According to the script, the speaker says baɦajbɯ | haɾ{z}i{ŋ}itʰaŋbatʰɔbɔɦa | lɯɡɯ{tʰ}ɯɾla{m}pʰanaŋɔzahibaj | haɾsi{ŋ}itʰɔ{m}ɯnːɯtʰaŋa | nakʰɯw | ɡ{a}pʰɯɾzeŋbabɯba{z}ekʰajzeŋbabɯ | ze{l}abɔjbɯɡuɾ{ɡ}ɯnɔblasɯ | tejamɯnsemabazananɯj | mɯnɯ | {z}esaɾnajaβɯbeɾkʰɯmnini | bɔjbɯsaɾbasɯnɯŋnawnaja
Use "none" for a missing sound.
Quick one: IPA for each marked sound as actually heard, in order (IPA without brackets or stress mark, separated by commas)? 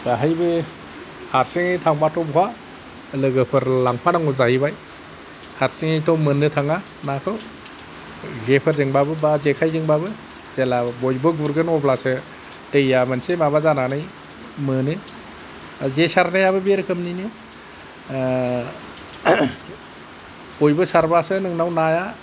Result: s, ŋ, pʰ, ŋ, ŋ, m, e, z, l, ɡ, z